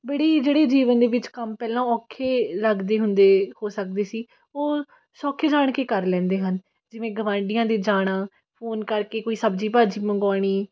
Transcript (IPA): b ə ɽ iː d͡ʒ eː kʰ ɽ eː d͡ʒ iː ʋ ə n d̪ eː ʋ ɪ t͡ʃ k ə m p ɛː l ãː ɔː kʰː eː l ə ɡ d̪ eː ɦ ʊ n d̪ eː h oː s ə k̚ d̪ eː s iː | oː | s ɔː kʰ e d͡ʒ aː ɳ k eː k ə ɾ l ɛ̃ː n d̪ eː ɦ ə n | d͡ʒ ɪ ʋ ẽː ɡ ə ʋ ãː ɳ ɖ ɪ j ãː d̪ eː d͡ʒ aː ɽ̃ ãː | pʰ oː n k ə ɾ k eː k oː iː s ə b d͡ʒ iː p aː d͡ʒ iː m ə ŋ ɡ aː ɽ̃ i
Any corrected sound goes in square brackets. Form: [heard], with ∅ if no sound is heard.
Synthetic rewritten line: b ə ɽ iː d͡ʒ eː [∅] ɽ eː d͡ʒ iː ʋ ə n d̪ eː ʋ ɪ t͡ʃ k ə m p ɛː l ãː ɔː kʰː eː l ə ɡ d̪ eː ɦ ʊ n d̪ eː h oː s ə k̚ d̪ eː s iː | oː | s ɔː kʰ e d͡ʒ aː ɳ k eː k ə ɾ l ɛ̃ː n d̪ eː ɦ ə n | d͡ʒ ɪ ʋ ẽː ɡ ə ʋ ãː ɳ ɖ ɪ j ãː d̪ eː d͡ʒ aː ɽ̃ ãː | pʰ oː n k ə ɾ k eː k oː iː s ə b d͡ʒ iː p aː d͡ʒ iː m ə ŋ ɡ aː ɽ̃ [iː]